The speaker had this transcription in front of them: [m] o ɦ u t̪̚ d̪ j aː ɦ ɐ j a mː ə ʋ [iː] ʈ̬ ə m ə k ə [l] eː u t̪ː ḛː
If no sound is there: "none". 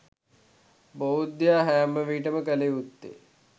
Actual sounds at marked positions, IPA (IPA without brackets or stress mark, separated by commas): b, iː, l